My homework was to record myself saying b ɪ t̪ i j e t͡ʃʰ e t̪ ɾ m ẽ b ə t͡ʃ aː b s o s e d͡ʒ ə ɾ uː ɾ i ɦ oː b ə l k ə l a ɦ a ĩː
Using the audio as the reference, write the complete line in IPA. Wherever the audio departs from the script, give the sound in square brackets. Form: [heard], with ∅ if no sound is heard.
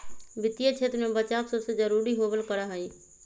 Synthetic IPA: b ɪ t̪ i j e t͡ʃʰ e t̪ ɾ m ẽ b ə t͡ʃ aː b s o s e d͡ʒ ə ɾ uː ɾ i ɦ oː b ə l k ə [ɾ] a ɦ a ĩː